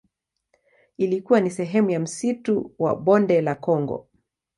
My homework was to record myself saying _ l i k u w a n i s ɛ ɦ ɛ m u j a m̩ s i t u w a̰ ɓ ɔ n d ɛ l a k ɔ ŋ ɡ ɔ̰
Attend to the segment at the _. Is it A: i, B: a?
A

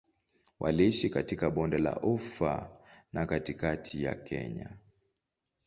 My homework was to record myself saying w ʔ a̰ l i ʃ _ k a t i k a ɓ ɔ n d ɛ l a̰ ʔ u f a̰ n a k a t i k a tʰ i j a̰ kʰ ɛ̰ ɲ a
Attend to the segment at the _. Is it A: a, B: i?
B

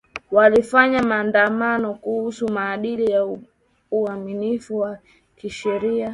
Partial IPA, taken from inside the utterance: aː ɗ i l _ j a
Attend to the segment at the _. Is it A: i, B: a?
A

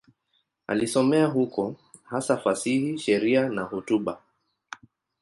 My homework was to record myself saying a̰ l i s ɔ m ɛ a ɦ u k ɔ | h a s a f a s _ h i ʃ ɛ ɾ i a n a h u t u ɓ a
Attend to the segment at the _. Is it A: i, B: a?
A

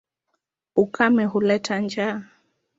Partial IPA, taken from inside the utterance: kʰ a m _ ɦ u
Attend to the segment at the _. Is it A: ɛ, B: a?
A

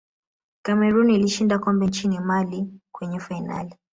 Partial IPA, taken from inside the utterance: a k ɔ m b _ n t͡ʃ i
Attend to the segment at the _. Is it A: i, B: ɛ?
B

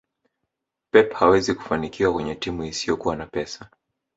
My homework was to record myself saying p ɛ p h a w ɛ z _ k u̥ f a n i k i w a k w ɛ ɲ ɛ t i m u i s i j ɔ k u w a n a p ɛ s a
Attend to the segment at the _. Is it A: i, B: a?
A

